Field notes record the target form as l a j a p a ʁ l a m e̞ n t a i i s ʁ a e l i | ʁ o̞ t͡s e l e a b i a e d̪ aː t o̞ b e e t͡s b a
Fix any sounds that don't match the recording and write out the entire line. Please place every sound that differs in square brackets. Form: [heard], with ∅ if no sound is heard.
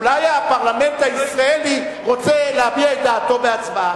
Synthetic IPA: l a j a p a ʁ l a m e̞ n t a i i s ʁ a e l i | ʁ o̞ t͡s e l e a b i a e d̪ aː t o̞ b e [a] t͡s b a